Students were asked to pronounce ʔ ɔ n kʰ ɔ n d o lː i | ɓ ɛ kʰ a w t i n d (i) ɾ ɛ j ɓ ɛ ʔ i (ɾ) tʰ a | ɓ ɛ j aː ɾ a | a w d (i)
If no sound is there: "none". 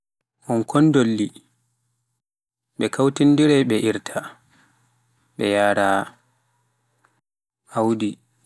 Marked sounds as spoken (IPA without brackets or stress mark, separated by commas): i, ɾ, i